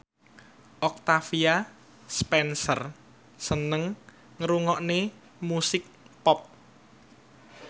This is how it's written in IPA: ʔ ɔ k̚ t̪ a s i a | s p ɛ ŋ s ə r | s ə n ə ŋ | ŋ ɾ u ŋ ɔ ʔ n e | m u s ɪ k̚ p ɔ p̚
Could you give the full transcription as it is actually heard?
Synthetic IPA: ʔ ɔ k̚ t̪ a f i a | s p ɛ n s ə r | s ə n ə ŋ | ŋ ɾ u ŋ ɔ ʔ n e | m u s ɪ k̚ p ɔ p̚